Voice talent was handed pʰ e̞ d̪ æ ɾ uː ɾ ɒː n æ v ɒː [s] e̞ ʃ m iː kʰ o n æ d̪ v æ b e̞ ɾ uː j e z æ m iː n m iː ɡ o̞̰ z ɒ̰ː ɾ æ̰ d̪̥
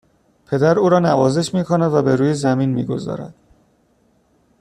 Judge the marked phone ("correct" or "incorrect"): incorrect